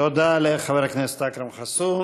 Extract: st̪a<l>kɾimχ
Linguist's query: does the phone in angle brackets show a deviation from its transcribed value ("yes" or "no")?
yes